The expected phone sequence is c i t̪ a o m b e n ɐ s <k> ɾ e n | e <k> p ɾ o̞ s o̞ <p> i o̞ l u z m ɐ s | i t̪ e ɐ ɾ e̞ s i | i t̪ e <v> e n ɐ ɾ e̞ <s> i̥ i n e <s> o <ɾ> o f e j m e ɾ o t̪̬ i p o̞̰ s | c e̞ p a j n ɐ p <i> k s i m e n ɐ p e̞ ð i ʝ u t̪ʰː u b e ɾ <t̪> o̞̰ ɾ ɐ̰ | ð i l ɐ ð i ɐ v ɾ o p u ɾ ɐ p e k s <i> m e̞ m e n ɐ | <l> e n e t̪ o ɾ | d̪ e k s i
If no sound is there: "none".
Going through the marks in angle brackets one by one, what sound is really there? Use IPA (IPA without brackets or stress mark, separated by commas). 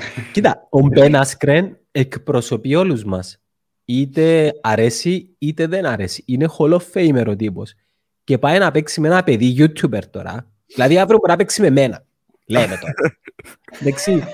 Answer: k, k, p, ð, s, x, l, e, t̪, i, l